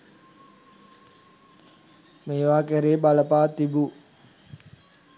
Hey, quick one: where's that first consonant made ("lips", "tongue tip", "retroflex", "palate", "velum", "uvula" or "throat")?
lips